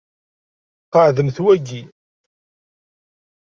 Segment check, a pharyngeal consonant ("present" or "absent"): present